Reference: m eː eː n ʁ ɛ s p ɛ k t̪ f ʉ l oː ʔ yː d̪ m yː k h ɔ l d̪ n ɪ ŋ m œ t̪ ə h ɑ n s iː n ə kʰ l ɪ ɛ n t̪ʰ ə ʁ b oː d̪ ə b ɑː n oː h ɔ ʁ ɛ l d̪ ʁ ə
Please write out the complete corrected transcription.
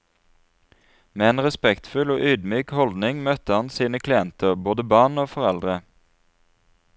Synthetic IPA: m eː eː n ʁ ɛ s p ɛ k t̪ f ʉ l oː ʔ yː d̪ m yː k h ɔ l d̪ n ɪ ŋ m œ t̪ ə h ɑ n s iː n ə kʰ l ɪ ɛ n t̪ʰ ə ʁ b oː d̪ ə b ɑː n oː f ɔ ʁ ɛ l d̪ ʁ ə